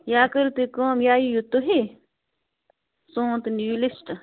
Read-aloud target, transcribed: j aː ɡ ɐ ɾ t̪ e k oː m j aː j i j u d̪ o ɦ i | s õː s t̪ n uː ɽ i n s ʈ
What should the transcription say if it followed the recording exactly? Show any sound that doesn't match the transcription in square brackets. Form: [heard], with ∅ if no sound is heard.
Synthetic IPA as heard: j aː [k] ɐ ɾ t̪ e k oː m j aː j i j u [t̪] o ɦ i | s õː [∅] t̪ n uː [l] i [∅] s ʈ

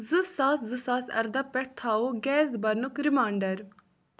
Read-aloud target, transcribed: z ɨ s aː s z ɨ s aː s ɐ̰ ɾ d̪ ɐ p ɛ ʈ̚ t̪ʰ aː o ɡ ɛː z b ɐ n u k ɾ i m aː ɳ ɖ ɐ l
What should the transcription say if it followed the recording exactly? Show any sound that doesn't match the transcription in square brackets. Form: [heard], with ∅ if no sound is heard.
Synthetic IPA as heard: z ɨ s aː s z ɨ s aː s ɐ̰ ɾ d̪ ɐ p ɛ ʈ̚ t̪ʰ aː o ɡ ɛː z b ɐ n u k ɾ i m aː ɳ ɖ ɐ [ɾ]

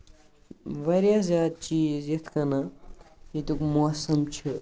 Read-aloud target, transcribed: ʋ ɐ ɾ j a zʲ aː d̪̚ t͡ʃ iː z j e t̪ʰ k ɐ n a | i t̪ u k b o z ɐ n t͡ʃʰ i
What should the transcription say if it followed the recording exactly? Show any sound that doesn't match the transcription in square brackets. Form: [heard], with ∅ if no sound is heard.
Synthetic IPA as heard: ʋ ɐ ɾ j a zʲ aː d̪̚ t͡ʃ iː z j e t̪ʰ k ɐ n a | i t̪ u k [m] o [s] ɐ [m] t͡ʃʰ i

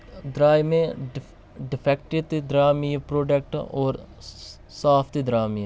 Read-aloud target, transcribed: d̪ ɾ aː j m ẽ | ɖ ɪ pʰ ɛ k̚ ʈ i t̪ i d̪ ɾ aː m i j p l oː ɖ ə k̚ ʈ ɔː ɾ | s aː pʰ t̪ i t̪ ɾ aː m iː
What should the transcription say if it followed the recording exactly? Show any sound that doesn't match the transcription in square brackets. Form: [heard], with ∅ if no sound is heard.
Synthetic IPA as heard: d̪ ɾ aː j m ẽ | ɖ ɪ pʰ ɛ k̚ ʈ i t̪ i d̪ ɾ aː m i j p [ɾ] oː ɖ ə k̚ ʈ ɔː ɾ | s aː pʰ t̪ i [d̪] ɾ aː m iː

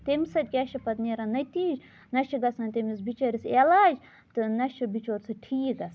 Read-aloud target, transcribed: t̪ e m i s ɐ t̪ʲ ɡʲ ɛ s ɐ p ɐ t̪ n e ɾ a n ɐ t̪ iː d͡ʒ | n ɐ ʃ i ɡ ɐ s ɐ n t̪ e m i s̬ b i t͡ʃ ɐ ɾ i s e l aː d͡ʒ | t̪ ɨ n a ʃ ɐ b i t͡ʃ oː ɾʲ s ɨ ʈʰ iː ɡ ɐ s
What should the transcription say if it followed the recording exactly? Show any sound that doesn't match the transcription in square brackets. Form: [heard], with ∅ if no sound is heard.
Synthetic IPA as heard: t̪ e m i s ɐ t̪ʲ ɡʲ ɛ [ʃ] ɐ p ɐ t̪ n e ɾ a n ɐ t̪ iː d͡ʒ | n ɐ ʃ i ɡ ɐ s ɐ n t̪ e m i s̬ b i t͡ʃ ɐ ɾ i s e l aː d͡ʒ | t̪ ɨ n [ɐ] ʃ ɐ b i t͡ʃ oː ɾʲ s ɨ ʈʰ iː ɡ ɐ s

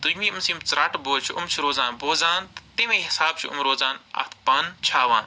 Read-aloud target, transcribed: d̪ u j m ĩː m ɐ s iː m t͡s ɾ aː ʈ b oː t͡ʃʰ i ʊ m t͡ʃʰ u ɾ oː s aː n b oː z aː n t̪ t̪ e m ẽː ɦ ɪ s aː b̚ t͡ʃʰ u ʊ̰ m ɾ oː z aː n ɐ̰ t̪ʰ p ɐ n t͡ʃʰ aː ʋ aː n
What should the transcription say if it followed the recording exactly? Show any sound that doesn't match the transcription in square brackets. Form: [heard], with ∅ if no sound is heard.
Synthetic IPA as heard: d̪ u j m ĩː m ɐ s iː m t͡s ɾ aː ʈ b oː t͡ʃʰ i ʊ m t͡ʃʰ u ɾ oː [z] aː n b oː z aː n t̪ t̪ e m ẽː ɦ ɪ s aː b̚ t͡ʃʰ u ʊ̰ m ɾ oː z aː n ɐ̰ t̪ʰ p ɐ n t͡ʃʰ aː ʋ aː n

